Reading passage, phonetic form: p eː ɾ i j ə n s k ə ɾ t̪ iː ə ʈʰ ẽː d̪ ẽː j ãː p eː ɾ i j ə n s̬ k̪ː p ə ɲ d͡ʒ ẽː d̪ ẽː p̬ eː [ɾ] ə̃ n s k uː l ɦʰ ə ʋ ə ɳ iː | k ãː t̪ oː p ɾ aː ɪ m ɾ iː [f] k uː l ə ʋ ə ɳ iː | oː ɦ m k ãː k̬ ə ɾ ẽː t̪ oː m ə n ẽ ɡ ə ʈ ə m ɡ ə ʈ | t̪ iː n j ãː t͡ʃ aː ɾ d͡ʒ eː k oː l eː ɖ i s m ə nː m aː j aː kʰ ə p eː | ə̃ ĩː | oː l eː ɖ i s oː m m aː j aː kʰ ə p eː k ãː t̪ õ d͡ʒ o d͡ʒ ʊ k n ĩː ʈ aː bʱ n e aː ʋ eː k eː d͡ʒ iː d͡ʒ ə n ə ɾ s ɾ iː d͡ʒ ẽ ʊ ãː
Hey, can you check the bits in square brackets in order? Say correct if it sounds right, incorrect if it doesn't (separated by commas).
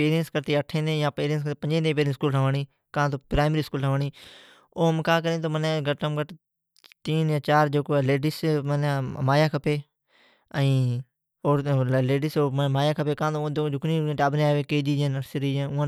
correct, incorrect